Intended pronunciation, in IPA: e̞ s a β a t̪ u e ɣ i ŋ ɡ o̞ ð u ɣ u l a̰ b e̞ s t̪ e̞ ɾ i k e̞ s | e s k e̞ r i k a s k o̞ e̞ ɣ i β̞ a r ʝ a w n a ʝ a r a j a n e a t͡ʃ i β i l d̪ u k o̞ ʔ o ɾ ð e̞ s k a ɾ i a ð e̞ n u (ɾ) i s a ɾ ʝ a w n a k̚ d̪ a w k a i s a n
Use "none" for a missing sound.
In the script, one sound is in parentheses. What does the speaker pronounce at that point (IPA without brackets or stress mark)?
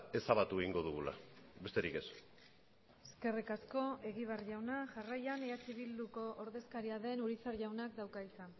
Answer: ɾ